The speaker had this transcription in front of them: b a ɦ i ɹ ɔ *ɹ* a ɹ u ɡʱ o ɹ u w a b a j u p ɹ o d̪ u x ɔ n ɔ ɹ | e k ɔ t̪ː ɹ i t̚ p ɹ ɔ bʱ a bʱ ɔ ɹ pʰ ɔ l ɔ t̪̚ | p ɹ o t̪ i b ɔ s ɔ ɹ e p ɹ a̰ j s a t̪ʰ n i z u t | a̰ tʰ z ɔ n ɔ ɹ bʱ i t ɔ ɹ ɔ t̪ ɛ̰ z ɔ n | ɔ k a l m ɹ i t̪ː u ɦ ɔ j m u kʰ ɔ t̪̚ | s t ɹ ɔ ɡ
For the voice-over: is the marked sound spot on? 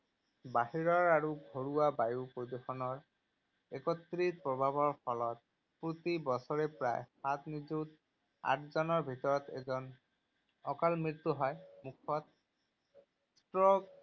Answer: yes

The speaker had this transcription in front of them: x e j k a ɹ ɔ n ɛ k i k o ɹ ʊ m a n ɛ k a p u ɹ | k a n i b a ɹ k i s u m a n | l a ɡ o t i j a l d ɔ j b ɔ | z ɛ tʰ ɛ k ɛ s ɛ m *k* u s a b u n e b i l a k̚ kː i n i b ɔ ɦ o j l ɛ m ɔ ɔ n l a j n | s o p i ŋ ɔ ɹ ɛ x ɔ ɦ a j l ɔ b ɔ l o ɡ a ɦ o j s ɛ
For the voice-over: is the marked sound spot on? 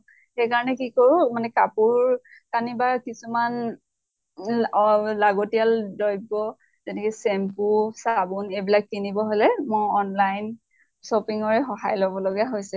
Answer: no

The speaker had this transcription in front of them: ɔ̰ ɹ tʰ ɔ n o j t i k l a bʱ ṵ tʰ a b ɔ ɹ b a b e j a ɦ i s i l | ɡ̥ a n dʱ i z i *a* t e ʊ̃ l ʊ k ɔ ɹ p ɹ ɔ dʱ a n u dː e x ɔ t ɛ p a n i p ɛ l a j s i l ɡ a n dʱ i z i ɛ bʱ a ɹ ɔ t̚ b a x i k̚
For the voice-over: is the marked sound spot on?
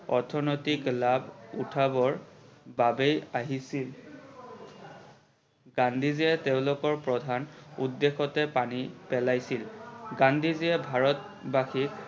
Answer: no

